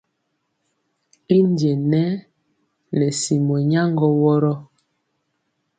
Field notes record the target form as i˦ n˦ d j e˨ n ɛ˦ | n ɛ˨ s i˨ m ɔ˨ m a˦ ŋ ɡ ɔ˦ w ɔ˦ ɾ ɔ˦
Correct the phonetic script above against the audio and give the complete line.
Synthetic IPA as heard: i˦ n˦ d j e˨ n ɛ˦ | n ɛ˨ s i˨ m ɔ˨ ɲ a˦ ŋ ɡ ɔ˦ w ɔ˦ ɾ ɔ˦